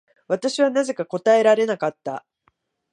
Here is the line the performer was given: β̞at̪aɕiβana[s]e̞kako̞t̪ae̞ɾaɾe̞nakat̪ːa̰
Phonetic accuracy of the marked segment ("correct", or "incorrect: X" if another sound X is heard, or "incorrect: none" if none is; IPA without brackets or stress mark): incorrect: z